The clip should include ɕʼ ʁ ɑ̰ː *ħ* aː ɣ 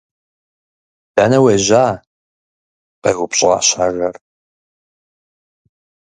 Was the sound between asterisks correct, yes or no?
no